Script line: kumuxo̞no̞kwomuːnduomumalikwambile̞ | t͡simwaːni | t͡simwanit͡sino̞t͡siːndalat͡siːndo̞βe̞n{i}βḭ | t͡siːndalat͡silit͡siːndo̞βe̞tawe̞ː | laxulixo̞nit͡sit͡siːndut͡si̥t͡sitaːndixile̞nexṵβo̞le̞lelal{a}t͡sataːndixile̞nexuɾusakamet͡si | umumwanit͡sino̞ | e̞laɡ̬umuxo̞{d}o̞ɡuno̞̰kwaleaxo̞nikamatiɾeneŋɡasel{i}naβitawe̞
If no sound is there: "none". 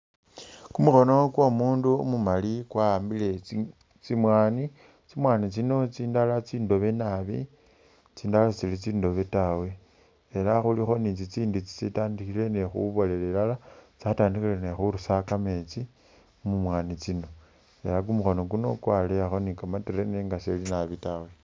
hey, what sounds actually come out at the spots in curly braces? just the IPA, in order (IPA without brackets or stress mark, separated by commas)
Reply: a, a, n, i